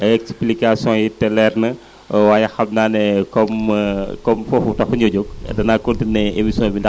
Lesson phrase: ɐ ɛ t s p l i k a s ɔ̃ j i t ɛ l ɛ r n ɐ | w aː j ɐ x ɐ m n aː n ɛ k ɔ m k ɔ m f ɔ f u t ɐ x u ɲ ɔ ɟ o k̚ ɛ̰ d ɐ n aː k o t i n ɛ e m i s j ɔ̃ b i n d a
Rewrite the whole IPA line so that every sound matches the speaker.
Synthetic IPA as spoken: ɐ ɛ k s p l i k a s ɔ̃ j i t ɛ l ɛ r n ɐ | w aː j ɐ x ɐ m n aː n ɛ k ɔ m k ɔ m f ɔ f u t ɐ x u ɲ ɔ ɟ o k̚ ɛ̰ d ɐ n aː k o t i n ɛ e m i s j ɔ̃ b i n d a